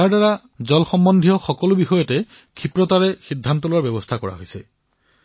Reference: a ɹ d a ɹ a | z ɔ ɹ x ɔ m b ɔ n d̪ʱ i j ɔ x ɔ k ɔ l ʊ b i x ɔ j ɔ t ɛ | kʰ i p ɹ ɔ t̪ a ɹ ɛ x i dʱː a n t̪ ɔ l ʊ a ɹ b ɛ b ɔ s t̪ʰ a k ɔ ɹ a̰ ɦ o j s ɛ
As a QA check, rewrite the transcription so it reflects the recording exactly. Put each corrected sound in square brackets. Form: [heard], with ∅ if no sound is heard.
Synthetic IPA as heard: a ɹ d a ɹ a | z ɔ [l] x ɔ m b ɔ n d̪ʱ i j ɔ x ɔ k ɔ l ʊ b i x ɔ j ɔ t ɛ | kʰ i p ɹ ɔ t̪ a ɹ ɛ x i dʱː a n t̪ ɔ l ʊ a ɹ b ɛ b ɔ s t̪ʰ a k ɔ ɹ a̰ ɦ o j s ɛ